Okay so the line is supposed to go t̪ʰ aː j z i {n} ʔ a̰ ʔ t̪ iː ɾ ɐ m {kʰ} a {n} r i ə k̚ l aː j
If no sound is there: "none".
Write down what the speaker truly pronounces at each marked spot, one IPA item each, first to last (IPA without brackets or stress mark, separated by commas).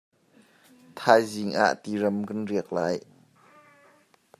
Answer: ŋ, k, n